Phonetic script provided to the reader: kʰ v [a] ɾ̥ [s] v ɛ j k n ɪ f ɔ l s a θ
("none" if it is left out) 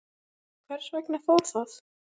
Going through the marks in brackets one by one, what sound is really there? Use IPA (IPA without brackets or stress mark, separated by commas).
ɛ, s